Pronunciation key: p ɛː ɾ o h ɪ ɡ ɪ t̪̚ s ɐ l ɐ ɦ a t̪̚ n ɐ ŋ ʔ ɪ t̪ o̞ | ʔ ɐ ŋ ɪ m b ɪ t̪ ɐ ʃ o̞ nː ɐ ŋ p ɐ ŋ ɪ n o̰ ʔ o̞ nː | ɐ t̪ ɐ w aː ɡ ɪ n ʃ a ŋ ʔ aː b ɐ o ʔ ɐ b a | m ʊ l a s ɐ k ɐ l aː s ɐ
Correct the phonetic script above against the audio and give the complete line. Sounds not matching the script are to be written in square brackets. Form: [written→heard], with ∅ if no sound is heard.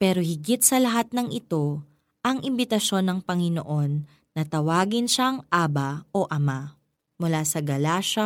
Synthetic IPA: p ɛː ɾ o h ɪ ɡ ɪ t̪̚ s ɐ l ɐ ɦ a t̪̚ n ɐ ŋ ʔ ɪ t̪ o̞ | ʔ ɐ ŋ ɪ m b ɪ t̪ ɐ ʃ o̞ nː ɐ ŋ p ɐ ŋ ɪ n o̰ ʔ o̞ nː | ɐ t̪ ɐ w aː ɡ ɪ n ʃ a ŋ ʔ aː b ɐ o ʔ ɐ [b→m] a | m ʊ l a s ɐ [k→ɡ] ɐ l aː [s→ʃ] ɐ